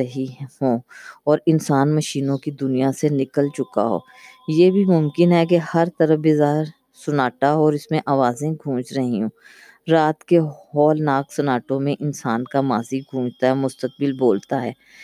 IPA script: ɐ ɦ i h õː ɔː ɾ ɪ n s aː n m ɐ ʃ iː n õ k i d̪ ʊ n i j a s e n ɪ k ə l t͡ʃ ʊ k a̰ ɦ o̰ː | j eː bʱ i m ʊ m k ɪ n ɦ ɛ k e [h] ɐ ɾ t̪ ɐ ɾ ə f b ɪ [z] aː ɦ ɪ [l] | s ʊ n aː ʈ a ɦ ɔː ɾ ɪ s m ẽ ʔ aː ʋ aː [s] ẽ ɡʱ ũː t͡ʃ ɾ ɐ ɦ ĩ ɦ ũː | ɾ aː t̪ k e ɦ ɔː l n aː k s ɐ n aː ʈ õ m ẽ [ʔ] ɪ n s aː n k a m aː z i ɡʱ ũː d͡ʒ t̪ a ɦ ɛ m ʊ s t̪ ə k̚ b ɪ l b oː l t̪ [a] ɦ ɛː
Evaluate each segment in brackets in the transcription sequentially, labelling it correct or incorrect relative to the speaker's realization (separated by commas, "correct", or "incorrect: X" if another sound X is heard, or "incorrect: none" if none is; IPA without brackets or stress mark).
correct, correct, incorrect: ɾ, incorrect: z, correct, correct